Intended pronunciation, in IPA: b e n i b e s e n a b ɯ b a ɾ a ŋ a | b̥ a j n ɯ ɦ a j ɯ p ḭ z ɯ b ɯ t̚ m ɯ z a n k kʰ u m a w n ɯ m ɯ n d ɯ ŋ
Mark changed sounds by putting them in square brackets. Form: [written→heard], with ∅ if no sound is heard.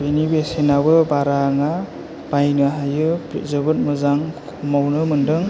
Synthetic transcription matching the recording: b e n i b e s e n a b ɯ b a ɾ a ŋ a | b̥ a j n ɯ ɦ a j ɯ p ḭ z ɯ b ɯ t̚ m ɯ z a [n→ŋ] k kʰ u m a w n ɯ m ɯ n d ɯ ŋ